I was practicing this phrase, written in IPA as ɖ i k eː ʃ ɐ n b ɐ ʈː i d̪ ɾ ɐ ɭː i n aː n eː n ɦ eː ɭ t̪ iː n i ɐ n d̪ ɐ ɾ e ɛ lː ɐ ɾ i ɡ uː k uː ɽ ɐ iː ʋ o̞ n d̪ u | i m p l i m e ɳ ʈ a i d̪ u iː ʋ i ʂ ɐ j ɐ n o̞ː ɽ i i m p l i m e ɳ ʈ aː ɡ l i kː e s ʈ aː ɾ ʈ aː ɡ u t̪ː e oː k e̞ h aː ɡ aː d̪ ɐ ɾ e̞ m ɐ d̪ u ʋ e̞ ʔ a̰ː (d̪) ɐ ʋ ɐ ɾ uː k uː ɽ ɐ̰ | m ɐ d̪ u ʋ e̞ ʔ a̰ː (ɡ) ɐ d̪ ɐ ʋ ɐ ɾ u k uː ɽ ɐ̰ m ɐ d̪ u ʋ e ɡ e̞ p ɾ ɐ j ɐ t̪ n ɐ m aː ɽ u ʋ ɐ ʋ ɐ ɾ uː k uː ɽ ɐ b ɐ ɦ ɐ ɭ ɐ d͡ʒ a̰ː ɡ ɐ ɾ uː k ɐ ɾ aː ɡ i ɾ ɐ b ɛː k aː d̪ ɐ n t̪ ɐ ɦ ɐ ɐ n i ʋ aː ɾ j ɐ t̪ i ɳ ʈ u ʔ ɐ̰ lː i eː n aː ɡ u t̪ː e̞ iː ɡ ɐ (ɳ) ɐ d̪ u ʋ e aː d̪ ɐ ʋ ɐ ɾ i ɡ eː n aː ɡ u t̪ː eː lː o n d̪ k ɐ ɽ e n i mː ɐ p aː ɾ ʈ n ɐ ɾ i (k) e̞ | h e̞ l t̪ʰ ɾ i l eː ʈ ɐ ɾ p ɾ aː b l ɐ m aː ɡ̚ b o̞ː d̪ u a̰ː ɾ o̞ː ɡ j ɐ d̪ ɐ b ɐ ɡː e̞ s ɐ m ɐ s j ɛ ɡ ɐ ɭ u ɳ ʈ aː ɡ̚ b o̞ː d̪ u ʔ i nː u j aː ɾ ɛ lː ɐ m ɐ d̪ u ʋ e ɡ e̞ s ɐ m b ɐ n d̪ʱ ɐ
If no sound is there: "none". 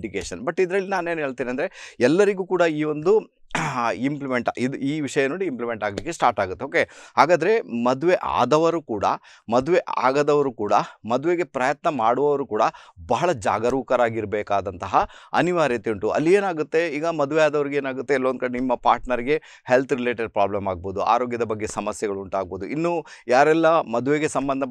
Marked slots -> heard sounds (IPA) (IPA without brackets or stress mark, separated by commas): d̪, ɡ, m, ɡ